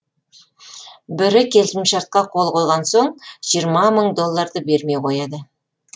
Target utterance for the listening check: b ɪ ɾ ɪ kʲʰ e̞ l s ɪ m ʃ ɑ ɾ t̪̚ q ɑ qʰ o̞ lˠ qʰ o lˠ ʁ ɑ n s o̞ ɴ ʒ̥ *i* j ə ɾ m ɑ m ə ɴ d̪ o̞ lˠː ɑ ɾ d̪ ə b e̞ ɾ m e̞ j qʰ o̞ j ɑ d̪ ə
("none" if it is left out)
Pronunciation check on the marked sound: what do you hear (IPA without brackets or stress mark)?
i